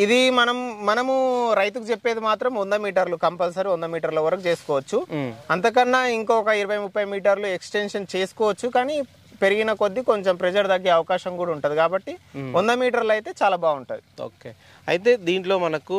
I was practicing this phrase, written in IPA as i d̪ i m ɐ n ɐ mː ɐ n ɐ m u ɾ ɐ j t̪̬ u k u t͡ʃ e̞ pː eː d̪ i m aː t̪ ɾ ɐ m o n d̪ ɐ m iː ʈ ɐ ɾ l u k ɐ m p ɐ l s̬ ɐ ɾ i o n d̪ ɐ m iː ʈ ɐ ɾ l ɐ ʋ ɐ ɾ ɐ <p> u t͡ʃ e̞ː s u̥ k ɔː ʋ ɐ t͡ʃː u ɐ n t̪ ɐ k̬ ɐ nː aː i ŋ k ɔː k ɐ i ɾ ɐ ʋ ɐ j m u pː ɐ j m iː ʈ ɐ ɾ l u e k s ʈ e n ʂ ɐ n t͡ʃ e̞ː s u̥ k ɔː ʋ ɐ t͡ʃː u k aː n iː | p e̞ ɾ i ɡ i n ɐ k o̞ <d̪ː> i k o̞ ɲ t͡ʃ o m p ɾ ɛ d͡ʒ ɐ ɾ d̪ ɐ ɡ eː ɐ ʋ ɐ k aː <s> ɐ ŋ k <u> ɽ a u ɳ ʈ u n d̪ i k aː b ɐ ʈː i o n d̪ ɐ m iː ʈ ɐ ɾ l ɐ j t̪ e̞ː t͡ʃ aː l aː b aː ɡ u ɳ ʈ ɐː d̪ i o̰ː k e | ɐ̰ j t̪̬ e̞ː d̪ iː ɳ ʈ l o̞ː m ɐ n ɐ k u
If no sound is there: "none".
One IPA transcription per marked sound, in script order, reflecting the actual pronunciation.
k, d̪ː, ʃ, uː

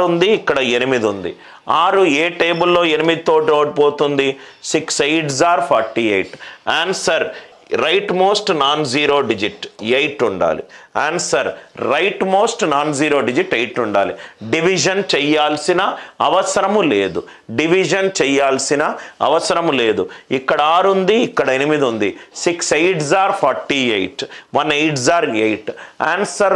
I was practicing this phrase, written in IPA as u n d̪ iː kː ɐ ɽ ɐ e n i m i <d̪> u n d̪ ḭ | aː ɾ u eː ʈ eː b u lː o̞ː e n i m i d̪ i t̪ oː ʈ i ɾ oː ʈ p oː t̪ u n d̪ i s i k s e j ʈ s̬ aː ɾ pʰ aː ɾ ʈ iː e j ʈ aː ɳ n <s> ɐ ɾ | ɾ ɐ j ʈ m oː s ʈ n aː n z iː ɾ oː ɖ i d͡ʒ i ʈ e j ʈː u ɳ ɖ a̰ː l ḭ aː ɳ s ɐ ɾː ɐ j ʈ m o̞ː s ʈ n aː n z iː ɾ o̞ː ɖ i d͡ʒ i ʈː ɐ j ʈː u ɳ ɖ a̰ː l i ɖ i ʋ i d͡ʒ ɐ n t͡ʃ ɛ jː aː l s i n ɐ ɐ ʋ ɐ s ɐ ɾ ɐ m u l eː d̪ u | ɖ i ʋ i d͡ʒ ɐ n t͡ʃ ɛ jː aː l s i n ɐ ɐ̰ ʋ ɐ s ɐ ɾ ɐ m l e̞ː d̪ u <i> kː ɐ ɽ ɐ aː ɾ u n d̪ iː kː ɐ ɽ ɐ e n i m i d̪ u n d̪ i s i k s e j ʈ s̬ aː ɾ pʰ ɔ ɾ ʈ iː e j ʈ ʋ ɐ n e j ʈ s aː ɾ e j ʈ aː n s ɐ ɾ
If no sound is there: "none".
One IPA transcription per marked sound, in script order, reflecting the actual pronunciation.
d̪, s, i

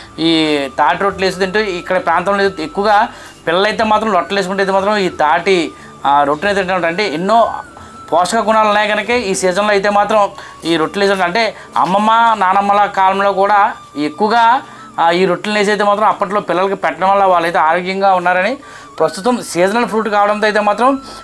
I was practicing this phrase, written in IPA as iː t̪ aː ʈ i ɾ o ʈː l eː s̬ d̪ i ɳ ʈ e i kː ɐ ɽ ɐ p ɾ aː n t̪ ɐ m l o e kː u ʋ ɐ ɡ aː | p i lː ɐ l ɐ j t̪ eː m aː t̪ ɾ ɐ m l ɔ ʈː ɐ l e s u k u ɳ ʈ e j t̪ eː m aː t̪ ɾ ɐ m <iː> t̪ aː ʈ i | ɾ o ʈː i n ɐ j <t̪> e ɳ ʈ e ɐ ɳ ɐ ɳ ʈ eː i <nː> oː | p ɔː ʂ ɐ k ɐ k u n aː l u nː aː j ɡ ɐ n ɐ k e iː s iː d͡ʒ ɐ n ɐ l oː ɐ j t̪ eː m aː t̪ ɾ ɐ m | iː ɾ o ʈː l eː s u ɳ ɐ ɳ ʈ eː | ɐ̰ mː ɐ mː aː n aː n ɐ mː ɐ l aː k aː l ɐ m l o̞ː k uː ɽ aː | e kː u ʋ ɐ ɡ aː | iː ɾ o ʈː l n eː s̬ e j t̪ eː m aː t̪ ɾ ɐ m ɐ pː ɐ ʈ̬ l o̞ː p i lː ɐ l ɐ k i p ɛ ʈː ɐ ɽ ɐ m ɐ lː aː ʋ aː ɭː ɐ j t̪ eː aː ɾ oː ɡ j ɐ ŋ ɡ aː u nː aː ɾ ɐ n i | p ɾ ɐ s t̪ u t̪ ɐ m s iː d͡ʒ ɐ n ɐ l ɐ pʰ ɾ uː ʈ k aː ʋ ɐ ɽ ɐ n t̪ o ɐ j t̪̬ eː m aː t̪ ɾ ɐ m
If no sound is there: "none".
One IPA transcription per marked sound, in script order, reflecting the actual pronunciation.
iː, t̪, nː

